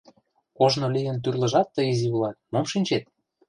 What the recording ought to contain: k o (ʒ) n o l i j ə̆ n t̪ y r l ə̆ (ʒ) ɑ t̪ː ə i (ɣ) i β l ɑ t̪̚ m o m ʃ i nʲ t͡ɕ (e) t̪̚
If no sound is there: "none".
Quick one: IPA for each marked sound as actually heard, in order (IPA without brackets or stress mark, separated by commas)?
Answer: ʒ, ʒ, z, e